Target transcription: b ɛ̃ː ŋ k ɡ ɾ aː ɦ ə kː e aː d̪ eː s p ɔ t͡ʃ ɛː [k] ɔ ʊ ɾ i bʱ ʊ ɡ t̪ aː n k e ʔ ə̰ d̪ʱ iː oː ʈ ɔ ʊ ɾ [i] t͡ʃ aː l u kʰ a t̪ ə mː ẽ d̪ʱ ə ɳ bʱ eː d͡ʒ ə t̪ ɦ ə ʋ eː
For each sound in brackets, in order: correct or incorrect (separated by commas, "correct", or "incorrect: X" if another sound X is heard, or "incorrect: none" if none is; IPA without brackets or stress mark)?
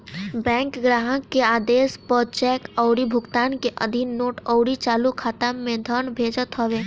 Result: correct, correct